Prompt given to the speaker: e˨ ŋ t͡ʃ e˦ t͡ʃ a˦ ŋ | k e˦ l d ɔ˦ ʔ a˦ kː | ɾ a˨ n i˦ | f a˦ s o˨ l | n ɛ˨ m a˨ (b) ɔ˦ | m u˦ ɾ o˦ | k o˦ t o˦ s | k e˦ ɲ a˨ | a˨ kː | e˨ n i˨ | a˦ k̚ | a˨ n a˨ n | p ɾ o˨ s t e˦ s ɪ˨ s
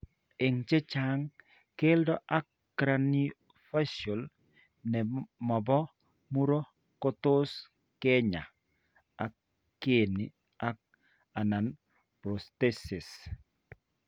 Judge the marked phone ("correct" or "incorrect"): correct